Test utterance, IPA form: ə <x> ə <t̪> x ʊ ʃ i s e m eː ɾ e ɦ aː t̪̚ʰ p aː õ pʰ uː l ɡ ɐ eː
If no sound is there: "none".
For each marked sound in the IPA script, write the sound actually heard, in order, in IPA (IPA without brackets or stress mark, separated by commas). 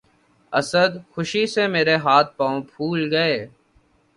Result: s, d̪